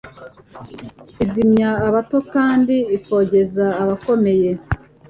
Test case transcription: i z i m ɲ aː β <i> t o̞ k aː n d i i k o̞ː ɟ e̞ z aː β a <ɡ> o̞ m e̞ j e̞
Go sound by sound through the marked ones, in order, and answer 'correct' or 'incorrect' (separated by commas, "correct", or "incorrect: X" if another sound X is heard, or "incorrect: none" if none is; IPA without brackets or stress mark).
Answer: incorrect: a, incorrect: k